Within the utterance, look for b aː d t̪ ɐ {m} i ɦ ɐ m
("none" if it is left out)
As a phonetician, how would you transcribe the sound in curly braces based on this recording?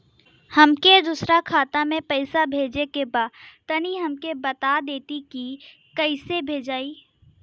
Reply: n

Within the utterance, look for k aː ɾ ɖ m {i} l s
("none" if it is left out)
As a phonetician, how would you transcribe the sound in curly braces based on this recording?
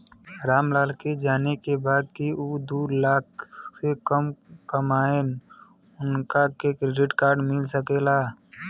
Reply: ɪ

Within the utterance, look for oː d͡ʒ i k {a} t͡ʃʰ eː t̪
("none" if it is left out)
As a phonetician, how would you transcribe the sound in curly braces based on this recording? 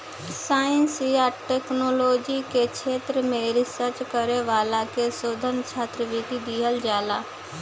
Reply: e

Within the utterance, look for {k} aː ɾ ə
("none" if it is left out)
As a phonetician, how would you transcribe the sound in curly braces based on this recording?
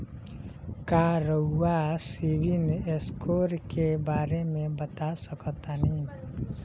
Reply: k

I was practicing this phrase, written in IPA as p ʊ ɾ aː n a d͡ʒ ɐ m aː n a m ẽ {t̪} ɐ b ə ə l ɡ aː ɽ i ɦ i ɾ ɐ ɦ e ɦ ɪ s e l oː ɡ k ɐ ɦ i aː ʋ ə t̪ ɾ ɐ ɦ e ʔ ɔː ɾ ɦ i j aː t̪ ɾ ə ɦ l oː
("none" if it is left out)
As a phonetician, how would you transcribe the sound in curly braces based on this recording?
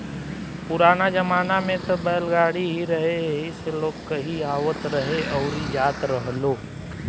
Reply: t̪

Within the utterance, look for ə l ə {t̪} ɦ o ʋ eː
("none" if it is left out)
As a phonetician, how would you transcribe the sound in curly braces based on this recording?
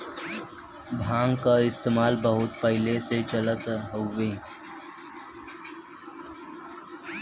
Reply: t̪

